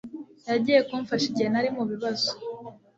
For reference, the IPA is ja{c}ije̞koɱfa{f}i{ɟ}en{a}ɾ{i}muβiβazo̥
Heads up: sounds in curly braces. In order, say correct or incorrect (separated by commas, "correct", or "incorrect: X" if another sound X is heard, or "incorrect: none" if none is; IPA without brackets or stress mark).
incorrect: ɟ, incorrect: ʃ, correct, correct, correct